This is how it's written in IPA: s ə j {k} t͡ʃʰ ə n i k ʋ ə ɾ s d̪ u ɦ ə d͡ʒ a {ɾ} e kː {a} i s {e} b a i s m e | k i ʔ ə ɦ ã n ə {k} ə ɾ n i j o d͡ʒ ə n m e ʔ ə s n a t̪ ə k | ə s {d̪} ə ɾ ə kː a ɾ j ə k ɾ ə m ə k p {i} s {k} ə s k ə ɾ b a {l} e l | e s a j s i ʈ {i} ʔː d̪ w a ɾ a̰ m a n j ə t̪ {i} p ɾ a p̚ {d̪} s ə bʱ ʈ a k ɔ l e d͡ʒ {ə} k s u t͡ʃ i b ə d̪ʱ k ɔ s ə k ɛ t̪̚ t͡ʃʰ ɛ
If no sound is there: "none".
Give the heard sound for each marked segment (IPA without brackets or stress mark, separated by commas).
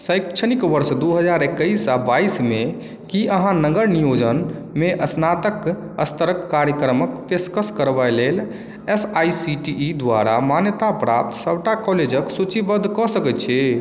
k, ɾ, ə, a, ɡ, t̪, e, k, l, i, a, t̪, ə